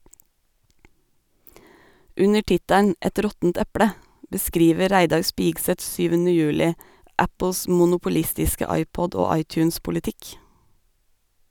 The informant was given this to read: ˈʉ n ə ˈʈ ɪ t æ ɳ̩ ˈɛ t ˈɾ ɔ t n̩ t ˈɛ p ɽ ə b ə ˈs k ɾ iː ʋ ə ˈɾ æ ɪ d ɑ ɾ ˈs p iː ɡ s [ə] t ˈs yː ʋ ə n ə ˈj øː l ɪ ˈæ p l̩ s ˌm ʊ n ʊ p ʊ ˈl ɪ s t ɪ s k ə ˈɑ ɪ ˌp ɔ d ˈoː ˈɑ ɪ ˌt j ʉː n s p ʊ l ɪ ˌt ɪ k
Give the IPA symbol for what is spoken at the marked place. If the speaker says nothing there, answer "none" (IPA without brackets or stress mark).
ə